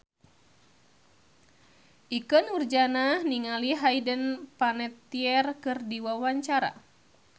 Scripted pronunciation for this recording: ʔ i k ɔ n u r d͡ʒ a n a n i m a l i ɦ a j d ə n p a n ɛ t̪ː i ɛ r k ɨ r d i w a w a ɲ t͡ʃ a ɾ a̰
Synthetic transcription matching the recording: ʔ i k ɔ n u r d͡ʒ a n a n i ŋ a l i ɦ a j d ə n p a n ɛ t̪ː i ɛ r k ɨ r d i w a w a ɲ t͡ʃ a ɾ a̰